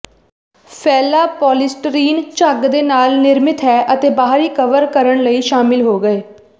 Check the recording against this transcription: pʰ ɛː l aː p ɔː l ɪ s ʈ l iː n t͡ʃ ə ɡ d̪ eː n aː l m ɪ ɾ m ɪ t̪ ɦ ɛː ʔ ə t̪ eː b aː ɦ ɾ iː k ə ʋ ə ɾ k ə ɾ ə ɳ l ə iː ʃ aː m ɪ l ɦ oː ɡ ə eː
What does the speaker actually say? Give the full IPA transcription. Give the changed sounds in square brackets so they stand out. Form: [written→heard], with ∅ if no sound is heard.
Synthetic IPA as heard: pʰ ɛː l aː p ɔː l ɪ s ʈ [l→ɾ] iː n t͡ʃ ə ɡ d̪ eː n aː l [m→n] ɪ ɾ m ɪ t̪ ɦ ɛː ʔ ə t̪ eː b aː ɦ ɾ iː k ə ʋ ə ɾ k ə ɾ ə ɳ l ə iː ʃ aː m ɪ l ɦ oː ɡ ə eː